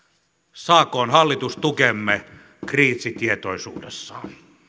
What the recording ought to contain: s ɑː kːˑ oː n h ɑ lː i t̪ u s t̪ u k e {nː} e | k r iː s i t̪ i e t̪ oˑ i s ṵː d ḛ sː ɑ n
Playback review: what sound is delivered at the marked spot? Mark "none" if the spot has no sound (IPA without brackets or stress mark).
mː